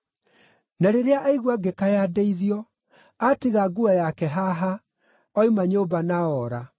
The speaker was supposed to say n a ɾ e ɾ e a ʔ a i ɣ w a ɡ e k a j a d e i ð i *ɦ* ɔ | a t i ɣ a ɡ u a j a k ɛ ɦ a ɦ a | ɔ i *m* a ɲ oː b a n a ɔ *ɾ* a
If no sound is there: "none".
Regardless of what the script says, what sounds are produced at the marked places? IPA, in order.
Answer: none, m, ɾ

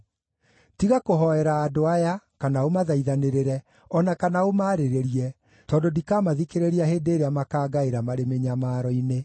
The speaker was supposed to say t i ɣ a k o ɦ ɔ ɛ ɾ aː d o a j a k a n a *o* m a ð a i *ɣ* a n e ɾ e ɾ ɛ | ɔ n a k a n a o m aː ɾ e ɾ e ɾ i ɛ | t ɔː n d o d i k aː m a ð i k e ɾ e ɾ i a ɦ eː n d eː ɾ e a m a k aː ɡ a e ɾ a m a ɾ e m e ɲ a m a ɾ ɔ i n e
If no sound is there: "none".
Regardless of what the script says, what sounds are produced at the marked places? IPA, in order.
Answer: o, ð

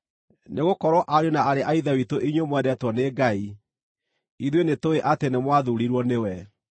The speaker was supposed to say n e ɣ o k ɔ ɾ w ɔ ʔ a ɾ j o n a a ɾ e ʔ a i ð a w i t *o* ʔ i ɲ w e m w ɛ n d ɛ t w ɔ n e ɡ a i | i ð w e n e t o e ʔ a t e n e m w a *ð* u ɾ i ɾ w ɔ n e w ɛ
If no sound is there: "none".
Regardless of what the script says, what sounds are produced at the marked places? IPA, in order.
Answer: o, ð

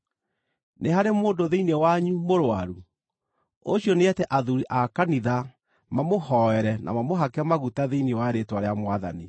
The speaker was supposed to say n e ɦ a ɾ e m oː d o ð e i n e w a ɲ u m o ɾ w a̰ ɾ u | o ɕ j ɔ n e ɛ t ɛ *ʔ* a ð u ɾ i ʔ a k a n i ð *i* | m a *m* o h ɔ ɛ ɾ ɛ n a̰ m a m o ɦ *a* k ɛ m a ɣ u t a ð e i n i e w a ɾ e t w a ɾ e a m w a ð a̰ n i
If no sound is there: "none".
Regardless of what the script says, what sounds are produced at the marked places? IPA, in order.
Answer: ʔ, a, m, a

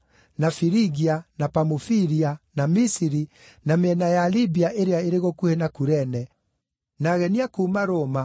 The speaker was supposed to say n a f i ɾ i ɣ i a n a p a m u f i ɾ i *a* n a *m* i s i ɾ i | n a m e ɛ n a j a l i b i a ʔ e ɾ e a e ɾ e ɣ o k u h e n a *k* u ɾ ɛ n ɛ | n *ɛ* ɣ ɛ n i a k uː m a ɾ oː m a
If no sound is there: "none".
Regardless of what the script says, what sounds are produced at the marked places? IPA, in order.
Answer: a, m, k, a

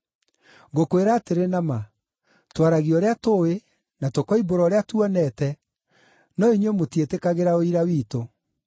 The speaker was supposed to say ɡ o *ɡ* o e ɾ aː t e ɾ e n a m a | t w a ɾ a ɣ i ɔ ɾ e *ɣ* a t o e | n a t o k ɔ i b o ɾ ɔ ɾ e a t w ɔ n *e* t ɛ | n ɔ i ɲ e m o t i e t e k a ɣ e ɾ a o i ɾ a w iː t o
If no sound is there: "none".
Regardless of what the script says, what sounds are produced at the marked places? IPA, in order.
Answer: k, none, ɛ

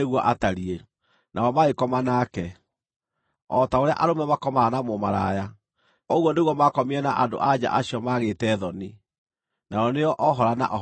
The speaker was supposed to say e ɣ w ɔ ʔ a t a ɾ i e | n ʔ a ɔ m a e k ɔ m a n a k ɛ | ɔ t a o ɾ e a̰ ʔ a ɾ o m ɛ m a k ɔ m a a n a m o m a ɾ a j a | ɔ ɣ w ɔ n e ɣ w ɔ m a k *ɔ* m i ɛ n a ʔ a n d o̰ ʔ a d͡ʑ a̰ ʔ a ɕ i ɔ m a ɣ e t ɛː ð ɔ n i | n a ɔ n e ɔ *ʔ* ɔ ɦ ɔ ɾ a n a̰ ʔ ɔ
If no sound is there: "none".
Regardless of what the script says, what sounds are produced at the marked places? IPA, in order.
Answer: ɔ, ʔ

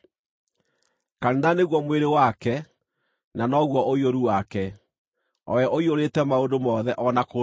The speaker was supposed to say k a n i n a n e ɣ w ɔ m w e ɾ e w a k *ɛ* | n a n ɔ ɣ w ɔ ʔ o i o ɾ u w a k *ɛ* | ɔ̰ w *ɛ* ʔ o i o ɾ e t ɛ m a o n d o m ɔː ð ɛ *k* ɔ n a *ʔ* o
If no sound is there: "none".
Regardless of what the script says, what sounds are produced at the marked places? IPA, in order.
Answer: ɛ, ɛ, ɛ, ʔ, k

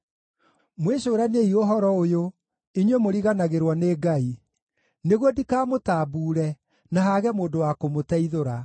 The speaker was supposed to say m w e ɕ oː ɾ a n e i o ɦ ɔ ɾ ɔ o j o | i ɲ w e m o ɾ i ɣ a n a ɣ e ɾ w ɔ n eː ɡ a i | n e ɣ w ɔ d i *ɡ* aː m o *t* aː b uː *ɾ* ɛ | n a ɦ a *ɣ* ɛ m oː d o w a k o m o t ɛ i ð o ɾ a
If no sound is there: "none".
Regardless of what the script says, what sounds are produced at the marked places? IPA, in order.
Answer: k, t, ɾ, ɣ

